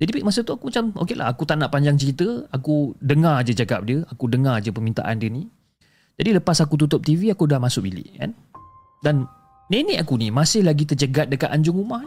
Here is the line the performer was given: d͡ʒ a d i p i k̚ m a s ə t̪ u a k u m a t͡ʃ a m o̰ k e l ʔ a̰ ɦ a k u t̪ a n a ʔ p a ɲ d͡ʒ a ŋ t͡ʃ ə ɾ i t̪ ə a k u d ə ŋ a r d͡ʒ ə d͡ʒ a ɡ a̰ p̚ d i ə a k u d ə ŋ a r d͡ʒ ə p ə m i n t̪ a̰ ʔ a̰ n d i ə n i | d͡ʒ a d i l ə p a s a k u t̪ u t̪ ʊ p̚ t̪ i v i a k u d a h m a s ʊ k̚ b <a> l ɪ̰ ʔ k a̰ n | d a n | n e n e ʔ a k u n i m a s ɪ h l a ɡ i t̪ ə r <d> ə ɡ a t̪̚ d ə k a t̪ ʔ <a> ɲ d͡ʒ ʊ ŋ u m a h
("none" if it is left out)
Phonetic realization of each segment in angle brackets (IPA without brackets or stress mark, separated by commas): i, d͡ʒ, a